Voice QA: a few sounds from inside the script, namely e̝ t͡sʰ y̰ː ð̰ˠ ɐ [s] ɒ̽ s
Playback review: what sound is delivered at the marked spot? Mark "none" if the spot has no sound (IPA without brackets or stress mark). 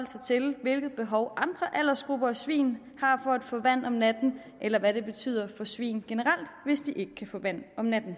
f